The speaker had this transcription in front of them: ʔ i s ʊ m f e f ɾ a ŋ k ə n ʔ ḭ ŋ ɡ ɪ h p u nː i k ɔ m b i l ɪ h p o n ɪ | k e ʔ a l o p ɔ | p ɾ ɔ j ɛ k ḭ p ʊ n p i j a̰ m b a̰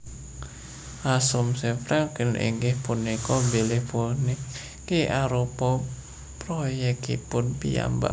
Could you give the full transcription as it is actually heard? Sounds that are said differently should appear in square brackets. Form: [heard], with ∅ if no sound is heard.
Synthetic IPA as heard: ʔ [a] s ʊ m [s] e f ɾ a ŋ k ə n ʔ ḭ ŋ ɡ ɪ h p u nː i k ɔ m b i l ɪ h p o n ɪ | k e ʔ a [ɾ] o p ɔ | p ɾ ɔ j ɛ k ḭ p ʊ n p i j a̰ m b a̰